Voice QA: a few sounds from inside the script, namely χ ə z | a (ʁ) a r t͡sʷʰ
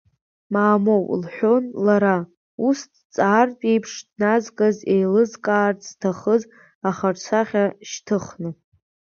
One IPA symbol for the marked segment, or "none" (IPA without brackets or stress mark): χ